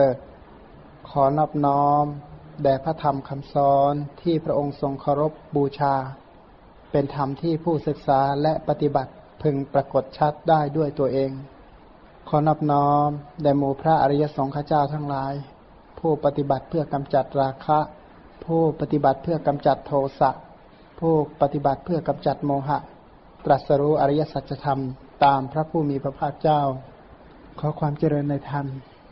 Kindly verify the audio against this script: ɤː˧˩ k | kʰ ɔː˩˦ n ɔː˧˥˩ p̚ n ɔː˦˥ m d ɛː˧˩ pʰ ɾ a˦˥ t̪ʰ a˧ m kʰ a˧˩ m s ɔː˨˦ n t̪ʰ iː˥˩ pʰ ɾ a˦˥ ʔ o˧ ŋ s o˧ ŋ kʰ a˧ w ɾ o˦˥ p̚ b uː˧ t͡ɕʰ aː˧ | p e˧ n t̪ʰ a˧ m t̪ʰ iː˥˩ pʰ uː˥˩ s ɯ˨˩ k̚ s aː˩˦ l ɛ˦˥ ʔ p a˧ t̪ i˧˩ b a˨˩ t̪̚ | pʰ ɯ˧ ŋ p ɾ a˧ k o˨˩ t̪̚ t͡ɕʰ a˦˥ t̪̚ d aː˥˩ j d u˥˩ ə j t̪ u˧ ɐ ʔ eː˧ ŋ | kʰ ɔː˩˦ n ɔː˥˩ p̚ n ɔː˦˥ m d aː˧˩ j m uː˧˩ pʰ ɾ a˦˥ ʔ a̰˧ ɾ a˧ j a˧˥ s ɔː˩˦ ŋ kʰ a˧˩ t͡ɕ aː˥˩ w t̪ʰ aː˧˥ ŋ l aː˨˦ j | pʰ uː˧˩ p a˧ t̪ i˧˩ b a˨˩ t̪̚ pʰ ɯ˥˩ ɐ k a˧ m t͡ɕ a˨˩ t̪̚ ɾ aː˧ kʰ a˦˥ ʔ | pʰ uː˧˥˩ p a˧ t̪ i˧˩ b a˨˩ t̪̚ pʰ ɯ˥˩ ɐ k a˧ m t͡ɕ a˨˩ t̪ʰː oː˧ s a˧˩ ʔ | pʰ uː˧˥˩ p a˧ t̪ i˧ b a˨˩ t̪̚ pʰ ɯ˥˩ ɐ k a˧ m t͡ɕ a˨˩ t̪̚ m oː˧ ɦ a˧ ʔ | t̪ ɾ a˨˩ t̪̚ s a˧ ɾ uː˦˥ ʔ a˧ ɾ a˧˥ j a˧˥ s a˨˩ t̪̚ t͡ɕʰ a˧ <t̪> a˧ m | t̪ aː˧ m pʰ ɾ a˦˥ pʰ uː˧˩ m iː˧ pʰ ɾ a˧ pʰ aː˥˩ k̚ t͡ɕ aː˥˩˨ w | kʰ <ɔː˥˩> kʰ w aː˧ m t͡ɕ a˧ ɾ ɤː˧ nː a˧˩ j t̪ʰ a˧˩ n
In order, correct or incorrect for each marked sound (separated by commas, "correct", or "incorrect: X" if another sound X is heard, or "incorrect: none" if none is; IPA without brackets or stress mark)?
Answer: incorrect: t̪ʰ, incorrect: ɔː˩˦